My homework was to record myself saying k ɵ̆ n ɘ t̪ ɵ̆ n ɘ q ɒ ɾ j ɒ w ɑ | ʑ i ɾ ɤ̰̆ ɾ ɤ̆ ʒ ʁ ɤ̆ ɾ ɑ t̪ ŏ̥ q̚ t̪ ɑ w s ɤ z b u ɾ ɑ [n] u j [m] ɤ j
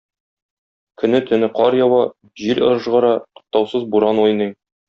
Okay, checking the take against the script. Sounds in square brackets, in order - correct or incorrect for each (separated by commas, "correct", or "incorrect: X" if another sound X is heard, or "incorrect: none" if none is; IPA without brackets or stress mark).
correct, incorrect: n